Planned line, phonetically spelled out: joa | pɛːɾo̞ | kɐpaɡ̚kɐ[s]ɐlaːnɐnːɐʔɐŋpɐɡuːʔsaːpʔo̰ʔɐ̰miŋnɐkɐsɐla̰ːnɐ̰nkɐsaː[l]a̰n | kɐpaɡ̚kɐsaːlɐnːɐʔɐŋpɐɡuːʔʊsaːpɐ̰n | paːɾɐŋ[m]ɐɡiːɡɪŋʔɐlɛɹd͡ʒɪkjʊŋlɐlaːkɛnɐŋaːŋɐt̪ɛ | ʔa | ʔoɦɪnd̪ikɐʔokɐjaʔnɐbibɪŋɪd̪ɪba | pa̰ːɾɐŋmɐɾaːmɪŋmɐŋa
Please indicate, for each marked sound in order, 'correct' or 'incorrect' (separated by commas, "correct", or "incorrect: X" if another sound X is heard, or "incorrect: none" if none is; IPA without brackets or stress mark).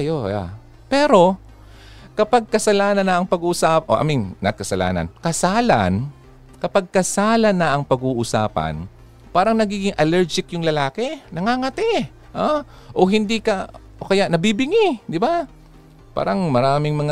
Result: correct, correct, incorrect: n